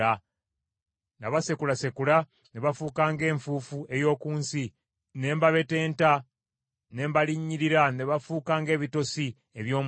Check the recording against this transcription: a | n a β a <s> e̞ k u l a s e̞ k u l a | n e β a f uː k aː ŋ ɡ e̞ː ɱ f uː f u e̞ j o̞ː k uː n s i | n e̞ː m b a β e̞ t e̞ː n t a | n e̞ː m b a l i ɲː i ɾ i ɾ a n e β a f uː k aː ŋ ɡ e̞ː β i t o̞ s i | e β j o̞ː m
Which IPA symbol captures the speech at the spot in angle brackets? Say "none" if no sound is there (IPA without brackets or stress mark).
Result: s